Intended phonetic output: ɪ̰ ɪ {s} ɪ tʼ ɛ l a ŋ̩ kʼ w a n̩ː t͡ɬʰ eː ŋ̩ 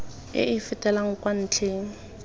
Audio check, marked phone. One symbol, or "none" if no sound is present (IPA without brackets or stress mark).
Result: f